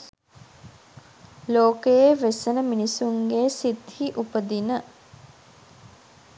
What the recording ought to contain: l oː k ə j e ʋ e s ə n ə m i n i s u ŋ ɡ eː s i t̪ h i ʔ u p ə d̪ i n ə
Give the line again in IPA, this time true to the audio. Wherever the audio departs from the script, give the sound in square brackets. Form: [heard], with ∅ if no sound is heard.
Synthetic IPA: l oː k ə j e ʋ e s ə n ə m i n i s u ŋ ɡ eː s i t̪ h i ʔ u p ə d̪ i n ə